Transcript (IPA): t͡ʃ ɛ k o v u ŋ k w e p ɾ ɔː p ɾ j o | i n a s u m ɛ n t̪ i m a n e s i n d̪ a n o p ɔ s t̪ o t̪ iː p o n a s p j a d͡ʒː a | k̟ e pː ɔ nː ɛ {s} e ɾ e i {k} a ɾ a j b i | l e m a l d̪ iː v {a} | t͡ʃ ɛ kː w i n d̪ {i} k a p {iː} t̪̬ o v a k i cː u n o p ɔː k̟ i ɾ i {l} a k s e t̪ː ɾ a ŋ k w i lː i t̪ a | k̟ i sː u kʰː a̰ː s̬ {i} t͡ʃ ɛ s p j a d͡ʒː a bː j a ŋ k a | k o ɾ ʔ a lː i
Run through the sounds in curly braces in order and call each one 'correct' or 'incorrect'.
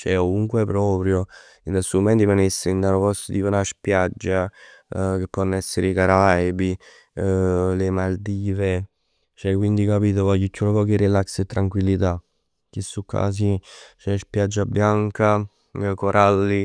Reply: incorrect: sː, correct, incorrect: e, correct, correct, correct, correct

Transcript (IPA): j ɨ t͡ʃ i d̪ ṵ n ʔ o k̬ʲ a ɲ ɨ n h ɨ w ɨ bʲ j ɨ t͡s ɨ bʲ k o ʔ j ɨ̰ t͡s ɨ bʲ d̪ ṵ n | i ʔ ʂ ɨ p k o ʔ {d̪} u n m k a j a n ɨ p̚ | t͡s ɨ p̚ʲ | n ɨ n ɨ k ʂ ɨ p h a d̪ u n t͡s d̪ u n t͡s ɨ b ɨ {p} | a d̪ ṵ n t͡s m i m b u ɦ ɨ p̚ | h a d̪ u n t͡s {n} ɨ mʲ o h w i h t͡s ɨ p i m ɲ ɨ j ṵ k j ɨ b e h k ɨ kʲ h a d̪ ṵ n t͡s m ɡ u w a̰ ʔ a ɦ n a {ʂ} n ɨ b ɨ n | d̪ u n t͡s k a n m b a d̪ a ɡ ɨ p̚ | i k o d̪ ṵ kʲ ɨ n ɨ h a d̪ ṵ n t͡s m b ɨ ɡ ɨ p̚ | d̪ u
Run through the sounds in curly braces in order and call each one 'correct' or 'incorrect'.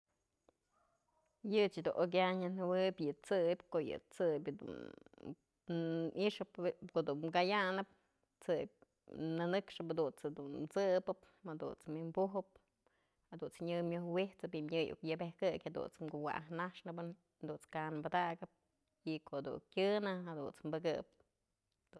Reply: correct, correct, incorrect: ɲ, correct

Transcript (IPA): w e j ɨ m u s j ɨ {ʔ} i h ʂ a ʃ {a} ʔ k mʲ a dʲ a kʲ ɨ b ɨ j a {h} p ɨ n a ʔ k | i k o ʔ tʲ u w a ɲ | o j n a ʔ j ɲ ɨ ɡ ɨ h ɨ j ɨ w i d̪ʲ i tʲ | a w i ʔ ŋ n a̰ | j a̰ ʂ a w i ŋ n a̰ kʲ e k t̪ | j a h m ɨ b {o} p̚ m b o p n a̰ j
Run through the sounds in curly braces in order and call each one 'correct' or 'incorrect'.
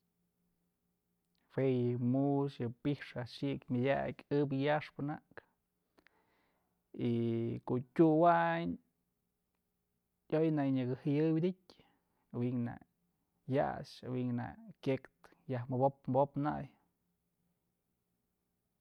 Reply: incorrect: p, incorrect: i, incorrect: ʂ, correct

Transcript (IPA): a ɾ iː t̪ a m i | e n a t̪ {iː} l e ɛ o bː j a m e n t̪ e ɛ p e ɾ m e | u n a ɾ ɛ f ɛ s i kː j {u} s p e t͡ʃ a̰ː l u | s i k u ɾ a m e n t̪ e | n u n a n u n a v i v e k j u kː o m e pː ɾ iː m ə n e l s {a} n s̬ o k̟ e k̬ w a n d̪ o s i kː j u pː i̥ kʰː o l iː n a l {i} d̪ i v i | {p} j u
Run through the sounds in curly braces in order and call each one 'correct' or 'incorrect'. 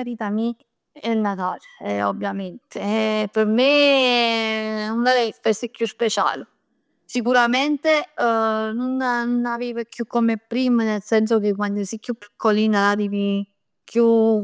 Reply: incorrect: aː, correct, incorrect: ɛ, incorrect: a, incorrect: k

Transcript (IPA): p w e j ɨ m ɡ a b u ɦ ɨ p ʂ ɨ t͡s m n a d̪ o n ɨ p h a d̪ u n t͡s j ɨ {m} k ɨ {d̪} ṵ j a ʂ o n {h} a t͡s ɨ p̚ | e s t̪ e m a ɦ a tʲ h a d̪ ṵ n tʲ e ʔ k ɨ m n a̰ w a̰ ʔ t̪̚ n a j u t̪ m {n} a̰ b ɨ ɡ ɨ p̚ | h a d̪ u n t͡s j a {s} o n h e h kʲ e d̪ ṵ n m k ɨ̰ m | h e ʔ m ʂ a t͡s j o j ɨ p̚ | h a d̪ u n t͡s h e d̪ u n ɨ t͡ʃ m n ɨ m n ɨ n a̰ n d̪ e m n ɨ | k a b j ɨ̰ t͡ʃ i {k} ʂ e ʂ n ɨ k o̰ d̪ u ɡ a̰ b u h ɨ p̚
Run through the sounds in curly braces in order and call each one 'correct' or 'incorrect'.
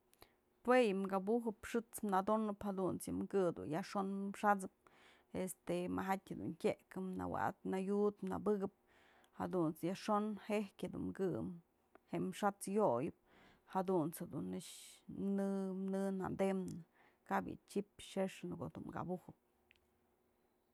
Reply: correct, correct, incorrect: ʂ, correct, incorrect: ʂ, incorrect: p

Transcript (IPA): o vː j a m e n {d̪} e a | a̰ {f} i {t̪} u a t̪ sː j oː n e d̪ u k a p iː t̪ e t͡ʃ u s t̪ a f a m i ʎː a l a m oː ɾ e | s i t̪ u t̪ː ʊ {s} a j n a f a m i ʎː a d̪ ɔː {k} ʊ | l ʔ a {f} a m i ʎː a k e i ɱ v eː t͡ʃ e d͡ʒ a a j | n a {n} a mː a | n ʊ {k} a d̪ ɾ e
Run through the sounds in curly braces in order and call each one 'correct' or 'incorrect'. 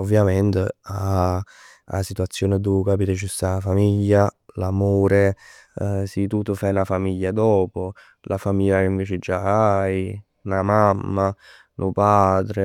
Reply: incorrect: t̪, incorrect: s, correct, incorrect: f, incorrect: p, correct, incorrect: m, incorrect: p

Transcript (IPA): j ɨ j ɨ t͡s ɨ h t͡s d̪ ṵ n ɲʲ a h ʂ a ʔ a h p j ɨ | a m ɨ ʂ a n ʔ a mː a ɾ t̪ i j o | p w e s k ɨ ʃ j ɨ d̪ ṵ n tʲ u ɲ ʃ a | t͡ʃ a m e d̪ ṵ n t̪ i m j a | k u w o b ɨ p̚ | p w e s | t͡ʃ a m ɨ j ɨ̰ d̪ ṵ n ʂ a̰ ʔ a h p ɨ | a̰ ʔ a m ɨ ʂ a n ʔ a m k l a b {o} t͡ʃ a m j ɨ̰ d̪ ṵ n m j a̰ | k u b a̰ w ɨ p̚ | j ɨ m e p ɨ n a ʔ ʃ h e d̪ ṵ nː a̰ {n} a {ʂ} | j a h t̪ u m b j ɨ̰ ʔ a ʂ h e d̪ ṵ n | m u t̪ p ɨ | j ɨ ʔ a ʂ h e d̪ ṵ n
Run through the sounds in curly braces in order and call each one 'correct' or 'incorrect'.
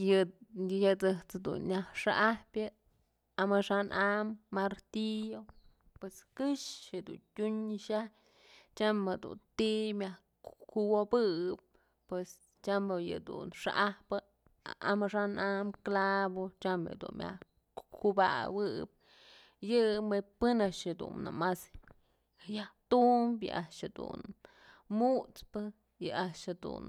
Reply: correct, incorrect: m, incorrect: s

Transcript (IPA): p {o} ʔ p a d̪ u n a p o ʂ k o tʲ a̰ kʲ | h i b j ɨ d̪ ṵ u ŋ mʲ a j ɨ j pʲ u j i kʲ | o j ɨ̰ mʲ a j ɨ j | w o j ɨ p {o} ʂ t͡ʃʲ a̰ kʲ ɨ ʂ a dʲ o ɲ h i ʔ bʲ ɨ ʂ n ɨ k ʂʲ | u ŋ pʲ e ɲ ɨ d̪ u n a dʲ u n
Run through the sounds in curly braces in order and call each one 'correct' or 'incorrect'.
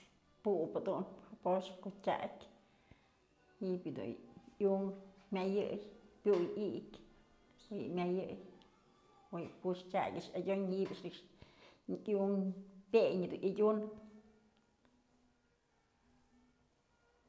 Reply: incorrect: u, incorrect: u

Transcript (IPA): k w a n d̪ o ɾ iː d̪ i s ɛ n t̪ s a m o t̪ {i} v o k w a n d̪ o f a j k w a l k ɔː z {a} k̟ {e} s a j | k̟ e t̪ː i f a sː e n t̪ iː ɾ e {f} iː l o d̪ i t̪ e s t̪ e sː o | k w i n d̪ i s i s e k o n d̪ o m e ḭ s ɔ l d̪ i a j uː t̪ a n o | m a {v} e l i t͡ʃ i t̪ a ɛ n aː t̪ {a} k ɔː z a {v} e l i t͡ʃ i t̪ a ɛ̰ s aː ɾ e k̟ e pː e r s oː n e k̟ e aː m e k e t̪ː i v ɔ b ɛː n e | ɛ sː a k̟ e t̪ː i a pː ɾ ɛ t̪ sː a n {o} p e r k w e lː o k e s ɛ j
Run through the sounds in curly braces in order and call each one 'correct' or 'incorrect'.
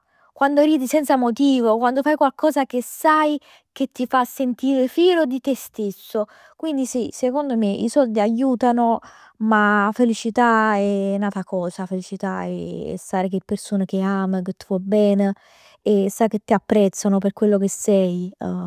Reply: incorrect: iː, correct, correct, correct, incorrect: f, correct, incorrect: f, correct

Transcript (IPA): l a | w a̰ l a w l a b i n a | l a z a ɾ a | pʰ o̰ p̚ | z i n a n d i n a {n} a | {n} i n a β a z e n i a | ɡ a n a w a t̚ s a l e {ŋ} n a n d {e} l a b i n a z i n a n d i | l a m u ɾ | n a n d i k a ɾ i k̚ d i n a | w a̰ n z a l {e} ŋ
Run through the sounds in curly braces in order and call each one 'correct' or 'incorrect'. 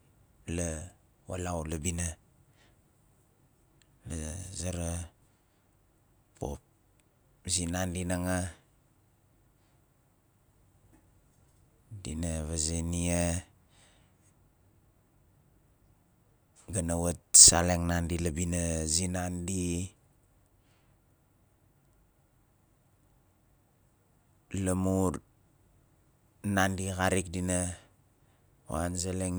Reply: incorrect: ŋ, incorrect: d, correct, incorrect: i, correct

